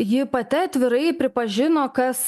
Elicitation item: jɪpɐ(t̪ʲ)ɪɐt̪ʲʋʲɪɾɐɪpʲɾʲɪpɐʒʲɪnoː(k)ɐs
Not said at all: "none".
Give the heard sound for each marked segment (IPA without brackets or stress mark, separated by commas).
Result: t̪ʲ, k